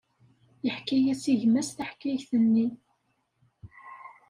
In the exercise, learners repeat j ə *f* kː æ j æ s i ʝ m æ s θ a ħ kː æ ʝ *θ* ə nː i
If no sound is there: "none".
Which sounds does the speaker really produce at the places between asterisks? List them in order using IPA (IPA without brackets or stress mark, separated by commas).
ħ, θ